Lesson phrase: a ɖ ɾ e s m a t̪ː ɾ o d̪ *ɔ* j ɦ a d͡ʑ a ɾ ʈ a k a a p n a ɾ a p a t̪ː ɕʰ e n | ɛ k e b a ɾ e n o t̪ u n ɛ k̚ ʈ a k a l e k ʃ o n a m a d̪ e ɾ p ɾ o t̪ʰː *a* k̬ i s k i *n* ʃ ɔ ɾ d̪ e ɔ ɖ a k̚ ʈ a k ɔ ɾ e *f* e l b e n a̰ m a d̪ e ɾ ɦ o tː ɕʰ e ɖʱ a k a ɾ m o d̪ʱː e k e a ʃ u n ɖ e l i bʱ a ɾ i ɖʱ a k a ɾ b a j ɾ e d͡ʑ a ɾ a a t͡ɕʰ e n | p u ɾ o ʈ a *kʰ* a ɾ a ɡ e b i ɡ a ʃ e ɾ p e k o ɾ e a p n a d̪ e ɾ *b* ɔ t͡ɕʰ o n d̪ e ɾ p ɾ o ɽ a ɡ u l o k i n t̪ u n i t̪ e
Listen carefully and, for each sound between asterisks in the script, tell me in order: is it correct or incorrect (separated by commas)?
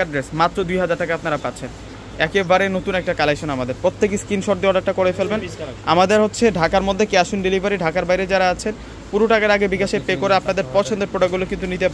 incorrect, incorrect, correct, correct, incorrect, incorrect